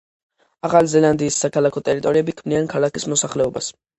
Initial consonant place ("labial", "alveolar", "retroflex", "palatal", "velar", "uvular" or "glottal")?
uvular